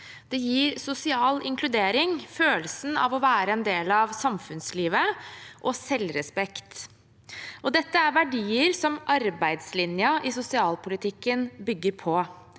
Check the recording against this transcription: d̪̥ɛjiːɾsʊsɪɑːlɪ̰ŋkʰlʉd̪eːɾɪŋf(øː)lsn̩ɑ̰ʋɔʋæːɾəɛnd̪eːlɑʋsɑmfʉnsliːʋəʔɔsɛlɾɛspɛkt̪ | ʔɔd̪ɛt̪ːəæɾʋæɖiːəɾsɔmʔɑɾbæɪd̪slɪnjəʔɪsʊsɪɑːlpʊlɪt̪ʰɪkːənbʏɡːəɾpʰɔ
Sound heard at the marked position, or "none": øː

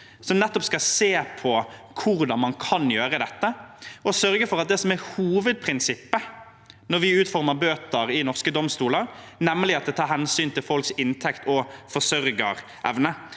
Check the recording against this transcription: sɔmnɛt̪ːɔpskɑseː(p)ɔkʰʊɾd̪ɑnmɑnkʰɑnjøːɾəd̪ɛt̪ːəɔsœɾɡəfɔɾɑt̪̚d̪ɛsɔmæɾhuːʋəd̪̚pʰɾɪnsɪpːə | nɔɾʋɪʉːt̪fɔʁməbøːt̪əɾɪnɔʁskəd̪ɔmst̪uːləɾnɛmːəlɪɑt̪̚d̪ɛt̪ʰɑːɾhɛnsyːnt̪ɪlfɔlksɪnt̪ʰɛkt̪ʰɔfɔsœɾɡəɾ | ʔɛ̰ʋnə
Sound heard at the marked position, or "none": pʰ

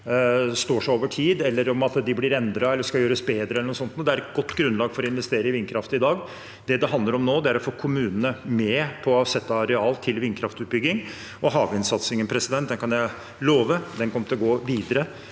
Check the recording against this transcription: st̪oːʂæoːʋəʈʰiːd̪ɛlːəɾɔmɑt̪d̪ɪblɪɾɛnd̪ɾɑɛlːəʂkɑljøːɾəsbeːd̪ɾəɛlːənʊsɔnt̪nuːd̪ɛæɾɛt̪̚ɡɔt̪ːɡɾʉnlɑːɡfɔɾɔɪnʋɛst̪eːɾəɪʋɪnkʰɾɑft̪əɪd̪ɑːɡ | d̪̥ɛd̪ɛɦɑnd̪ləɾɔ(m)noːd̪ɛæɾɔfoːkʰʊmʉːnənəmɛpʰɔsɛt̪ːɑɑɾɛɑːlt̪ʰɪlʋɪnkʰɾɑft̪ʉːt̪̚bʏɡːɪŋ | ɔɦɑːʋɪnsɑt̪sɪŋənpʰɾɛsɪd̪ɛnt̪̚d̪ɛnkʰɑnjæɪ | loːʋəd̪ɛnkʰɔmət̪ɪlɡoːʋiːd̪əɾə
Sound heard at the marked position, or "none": m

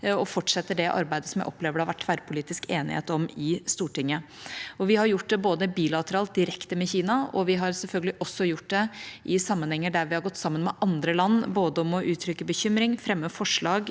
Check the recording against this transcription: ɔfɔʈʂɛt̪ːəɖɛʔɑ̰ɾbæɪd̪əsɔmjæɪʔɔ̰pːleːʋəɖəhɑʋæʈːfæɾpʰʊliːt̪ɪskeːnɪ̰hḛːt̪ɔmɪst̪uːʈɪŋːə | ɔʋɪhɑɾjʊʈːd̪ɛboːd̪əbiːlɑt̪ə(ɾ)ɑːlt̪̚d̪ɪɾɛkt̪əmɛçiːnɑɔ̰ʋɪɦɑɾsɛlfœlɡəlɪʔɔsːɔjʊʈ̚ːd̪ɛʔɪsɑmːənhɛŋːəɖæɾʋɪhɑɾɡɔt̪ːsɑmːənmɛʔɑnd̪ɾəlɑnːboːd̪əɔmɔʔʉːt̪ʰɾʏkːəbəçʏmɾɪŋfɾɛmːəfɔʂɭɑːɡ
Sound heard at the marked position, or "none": ɾ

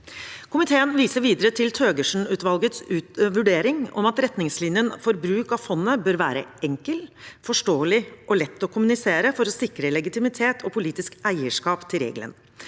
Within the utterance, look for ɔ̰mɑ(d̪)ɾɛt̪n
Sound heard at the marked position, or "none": t̪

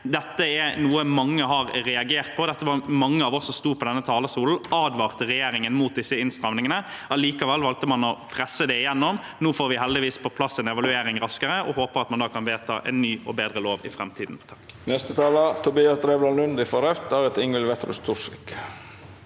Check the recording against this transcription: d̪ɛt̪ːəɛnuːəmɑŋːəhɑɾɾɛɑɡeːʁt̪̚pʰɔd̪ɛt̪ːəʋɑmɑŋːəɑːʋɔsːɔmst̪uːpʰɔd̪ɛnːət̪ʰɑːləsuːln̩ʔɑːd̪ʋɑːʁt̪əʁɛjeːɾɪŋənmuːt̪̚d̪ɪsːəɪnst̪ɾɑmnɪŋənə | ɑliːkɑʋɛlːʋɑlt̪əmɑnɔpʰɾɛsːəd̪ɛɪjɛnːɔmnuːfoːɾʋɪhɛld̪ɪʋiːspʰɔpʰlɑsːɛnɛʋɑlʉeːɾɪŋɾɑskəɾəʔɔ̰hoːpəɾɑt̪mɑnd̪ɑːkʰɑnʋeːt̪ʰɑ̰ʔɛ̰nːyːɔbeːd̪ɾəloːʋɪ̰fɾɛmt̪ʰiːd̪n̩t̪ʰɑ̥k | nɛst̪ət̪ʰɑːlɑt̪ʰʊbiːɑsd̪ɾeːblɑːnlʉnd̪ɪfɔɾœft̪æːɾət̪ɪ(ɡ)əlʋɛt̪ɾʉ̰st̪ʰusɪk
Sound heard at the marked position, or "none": ŋ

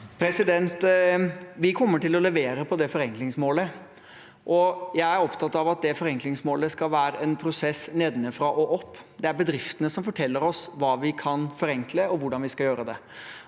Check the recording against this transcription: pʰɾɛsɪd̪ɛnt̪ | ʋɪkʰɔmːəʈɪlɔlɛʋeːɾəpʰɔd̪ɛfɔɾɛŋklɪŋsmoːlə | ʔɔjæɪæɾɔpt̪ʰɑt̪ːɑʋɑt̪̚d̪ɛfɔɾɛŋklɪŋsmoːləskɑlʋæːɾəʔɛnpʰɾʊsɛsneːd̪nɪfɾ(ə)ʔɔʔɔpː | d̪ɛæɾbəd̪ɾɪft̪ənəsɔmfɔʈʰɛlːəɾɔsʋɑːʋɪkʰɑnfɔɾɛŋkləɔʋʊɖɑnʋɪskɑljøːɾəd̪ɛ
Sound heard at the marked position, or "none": ɑ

